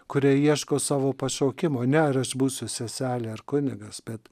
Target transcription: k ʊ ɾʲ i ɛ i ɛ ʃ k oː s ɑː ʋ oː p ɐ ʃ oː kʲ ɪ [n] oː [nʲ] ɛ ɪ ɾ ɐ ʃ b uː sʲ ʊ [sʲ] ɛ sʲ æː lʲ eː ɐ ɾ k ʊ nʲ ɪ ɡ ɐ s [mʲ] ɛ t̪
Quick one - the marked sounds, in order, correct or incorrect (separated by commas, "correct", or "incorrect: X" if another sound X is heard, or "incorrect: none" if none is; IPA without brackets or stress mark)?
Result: incorrect: m, correct, correct, incorrect: bʲ